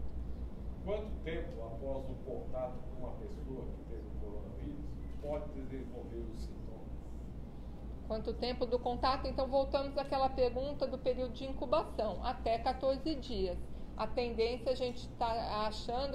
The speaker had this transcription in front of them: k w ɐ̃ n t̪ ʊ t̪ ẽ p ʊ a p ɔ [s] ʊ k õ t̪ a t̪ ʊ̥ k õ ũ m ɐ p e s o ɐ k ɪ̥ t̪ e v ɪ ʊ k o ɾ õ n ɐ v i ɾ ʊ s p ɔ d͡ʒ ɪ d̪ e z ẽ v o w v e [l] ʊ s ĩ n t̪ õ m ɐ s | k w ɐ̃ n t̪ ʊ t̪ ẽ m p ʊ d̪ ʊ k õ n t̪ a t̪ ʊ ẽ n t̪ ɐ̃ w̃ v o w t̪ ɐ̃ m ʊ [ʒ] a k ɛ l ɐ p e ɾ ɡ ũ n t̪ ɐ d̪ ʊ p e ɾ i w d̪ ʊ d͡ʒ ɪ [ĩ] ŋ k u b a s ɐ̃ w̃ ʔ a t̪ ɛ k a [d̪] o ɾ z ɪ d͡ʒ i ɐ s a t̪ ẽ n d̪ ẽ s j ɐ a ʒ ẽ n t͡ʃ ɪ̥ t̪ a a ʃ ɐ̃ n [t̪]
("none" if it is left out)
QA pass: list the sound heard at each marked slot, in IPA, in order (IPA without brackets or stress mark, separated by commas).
z, ɾ, z, ĩ, t̪, d̪